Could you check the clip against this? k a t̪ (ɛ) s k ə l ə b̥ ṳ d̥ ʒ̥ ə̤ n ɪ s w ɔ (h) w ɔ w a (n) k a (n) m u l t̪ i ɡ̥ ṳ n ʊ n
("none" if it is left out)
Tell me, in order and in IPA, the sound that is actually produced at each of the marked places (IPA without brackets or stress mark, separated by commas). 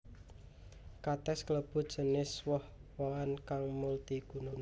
ɛ, h, n, ŋ